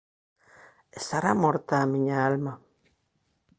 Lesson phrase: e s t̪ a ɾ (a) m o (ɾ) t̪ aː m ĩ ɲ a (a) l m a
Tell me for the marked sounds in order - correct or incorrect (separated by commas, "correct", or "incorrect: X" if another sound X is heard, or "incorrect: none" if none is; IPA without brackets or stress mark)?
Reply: correct, correct, correct